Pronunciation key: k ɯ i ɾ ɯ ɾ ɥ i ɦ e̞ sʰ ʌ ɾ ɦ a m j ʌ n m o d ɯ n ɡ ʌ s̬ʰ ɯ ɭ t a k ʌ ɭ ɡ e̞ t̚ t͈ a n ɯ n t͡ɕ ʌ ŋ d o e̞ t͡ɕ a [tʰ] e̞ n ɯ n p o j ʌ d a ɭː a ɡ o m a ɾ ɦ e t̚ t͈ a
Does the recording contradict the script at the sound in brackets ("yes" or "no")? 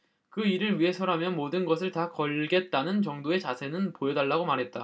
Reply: yes